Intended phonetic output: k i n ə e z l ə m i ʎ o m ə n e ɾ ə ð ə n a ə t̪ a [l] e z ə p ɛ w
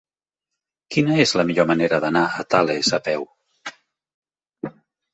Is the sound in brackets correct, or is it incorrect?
correct